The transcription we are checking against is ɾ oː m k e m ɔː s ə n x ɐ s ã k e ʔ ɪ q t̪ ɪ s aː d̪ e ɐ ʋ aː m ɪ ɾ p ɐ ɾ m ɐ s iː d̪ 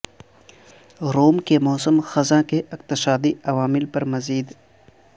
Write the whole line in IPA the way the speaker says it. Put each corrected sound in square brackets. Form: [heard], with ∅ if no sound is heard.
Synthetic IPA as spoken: ɾ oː m k e m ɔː s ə [m] x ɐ [z] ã k e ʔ ɪ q t̪ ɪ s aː d̪ [i] ɐ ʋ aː m ɪ [l] p ɐ ɾ m ɐ [z] iː d̪

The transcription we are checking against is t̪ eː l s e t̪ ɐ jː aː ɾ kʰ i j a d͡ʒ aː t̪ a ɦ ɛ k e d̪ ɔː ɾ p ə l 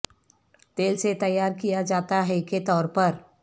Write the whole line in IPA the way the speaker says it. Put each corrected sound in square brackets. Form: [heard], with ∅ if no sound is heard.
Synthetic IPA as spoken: t̪ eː l s e t̪ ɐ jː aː ɾ [k] i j a d͡ʒ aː t̪ a ɦ ɛ k e [t̪] ɔː ɾ p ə [ɾ]

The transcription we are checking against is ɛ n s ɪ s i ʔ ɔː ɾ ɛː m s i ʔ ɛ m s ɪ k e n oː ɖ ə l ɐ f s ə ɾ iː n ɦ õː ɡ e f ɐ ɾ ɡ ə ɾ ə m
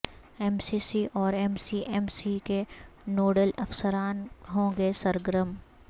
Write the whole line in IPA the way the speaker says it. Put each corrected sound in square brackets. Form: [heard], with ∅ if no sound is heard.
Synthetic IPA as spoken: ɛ [m] s [i] s i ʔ ɔː ɾ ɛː m s i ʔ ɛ m s [i] k e n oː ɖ ə l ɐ f s ə ɾ [aː] n ɦ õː ɡ e [s] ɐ ɾ ɡ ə ɾ ə m

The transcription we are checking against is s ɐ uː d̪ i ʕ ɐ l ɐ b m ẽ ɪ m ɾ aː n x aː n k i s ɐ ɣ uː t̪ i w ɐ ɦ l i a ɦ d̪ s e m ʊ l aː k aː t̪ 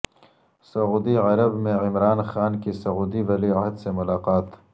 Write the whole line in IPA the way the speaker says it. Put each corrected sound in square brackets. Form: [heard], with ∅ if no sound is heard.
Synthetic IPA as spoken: s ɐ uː d̪ i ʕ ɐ [ɾ] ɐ b m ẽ ɪ m ɾ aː n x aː n k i s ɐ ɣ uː [d̪] i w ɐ [∅] l i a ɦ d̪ s e m ʊ l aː [q] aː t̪

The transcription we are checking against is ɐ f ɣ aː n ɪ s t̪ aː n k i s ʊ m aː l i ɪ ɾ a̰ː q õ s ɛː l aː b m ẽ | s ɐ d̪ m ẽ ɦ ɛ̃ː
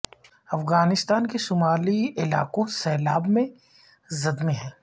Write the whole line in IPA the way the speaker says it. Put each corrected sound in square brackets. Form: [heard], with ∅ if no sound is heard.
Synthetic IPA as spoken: ɐ f ɣ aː n ɪ s t̪ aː n k [e] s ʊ m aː l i ɪ [l] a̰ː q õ s ɛː l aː b m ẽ | [z] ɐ d̪ m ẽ ɦ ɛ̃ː

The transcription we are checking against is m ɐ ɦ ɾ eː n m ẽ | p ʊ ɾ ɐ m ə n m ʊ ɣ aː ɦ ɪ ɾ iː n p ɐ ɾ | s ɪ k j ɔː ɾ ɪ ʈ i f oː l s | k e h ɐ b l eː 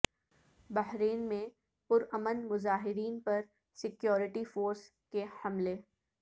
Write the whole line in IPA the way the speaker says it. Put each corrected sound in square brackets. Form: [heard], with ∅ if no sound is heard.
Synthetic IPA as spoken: [b] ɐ ɦ ɾ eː n m ẽ | p ʊ ɾ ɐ m ə n m ʊ [z] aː ɦ ɪ ɾ iː n p ɐ ɾ | s ɪ k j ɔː ɾ ɪ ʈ i f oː [ɾ] s | k e h ɐ [m] l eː

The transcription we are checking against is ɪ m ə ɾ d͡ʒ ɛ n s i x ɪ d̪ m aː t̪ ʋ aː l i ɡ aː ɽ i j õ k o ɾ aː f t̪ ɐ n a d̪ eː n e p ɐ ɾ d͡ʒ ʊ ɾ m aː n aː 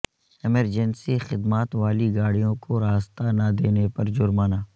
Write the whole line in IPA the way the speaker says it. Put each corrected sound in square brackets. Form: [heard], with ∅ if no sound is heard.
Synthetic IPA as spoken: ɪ m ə ɾ d͡ʒ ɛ n s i x ɪ d̪ m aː t̪ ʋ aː l i ɡ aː ɽ i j õ k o ɾ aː [s] t̪ [a] n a d̪ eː n e p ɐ ɾ d͡ʒ ʊ ɾ m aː n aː

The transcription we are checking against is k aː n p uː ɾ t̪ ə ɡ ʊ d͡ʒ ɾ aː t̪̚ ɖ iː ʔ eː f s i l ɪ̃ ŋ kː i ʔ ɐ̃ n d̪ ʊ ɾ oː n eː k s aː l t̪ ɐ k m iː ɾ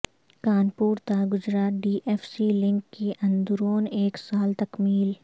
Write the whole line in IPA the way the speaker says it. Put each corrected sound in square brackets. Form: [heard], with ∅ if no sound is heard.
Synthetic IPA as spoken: k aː n p uː ɾ t̪ [a] ɡ ʊ d͡ʒ ɾ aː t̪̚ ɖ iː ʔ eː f s i l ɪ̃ ŋ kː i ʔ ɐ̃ n d̪ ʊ ɾ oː n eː k s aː l t̪ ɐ k m iː [l]

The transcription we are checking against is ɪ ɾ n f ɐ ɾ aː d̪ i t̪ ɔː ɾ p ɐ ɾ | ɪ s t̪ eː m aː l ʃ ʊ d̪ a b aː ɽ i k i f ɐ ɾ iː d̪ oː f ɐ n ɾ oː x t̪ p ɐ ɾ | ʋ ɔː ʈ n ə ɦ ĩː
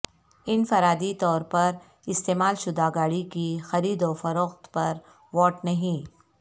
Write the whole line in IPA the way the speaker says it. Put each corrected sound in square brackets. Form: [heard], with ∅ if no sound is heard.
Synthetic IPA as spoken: ɪ [∅] n f ɐ ɾ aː d̪ i t̪ ɔː ɾ p ɐ ɾ | ɪ s t̪ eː m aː l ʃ ʊ d̪ a [ɡ] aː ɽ i k i [x] ɐ ɾ iː d̪ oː f ɐ [∅] ɾ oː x t̪ p ɐ ɾ | ʋ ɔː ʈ n [ɐ] ɦ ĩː

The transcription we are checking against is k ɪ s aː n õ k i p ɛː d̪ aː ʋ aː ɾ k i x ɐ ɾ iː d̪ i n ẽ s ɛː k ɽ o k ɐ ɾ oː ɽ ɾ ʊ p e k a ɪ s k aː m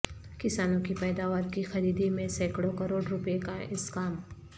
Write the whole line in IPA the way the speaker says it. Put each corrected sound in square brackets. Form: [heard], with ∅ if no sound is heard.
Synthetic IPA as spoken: k ɪ s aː n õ k i p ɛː d̪ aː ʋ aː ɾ k i x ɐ ɾ iː d̪ i [m] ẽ s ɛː k ɽ o k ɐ ɾ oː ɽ ɾ ʊ p e k a ɪ s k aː m

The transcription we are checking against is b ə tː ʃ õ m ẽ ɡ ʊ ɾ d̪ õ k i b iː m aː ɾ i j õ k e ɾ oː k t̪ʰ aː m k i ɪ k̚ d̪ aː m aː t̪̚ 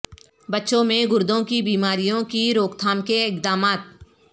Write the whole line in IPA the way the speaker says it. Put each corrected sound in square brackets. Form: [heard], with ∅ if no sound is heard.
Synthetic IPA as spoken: b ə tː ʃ õ m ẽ ɡ ʊ ɾ d̪ õ k i b iː m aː ɾ i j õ k [i] ɾ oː k t̪ʰ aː m k [e] ɪ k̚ d̪ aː m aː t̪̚

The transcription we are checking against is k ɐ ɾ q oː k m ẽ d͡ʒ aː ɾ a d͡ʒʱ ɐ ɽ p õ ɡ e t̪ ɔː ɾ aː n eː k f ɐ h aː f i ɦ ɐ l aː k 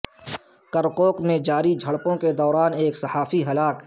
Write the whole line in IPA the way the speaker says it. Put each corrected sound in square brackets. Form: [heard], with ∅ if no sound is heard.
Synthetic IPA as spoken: k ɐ ɾ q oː k m ẽ d͡ʒ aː ɾ [i] d͡ʒʱ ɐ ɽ p õ [k] e [d̪] ɔː ɾ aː n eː k [s] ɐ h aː f i ɦ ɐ l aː k

